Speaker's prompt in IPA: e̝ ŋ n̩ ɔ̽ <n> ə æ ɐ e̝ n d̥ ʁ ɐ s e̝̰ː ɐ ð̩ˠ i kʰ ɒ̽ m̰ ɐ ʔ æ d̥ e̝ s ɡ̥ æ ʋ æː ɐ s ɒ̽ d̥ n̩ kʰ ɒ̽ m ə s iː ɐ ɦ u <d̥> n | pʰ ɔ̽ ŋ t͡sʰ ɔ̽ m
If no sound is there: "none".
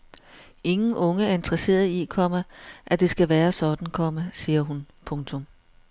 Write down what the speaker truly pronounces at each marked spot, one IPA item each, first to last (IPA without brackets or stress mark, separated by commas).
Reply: ŋ, none